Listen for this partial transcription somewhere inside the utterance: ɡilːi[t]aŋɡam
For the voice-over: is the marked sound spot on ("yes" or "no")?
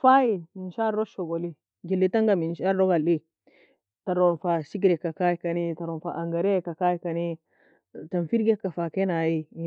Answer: yes